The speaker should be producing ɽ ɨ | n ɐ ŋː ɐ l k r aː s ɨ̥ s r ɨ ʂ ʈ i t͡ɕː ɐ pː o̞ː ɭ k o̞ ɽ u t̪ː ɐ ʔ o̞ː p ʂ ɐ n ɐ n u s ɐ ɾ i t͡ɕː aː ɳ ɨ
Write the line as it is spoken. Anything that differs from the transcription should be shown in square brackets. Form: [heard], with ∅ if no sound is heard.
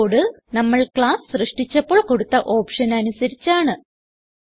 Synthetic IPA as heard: ɽ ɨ | n ɐ [mː] ɐ [ɭ] k [ɭ] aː s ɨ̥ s r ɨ ʂ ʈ i t͡ɕː ɐ pː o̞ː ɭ k o̞ ɽ u t̪ː ɐ ʔ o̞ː p ʂ ɐ n ɐ n u s ɐ ɾ i t͡ɕː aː ɳ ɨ